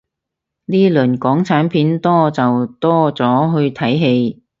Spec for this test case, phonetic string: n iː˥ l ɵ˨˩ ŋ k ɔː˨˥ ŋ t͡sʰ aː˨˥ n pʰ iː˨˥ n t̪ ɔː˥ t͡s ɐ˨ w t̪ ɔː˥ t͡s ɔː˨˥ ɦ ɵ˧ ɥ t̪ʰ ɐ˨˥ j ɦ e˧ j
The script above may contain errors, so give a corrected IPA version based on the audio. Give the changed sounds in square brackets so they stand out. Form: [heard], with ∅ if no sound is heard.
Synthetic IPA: n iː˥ l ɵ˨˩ [n] k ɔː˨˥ ŋ t͡sʰ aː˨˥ n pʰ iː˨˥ n t̪ ɔː˥ t͡s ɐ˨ w t̪ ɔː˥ t͡s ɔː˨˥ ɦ ɵ˧ ɥ t̪ʰ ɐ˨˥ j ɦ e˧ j